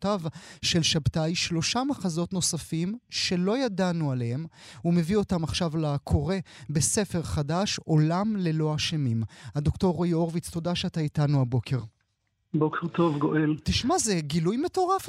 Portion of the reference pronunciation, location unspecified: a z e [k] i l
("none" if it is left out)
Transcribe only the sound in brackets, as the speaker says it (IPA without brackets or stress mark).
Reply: ɡ